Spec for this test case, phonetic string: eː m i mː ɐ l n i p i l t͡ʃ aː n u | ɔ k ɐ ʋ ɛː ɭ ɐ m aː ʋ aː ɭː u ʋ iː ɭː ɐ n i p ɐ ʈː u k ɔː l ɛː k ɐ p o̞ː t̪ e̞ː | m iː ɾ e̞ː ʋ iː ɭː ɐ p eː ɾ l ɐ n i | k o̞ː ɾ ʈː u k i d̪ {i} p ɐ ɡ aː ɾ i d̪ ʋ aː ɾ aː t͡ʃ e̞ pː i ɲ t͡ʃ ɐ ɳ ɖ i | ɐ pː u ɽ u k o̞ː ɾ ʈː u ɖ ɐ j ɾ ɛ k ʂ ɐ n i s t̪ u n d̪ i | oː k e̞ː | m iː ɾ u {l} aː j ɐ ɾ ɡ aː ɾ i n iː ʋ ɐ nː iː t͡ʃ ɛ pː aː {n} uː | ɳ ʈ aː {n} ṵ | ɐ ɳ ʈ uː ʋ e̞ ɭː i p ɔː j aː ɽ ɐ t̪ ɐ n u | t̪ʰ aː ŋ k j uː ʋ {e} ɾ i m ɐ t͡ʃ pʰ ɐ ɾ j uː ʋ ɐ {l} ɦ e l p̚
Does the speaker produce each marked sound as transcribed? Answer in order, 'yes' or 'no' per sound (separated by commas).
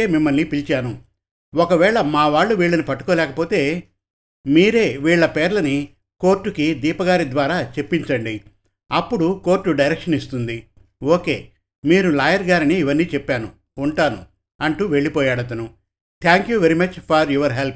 no, yes, yes, yes, yes, no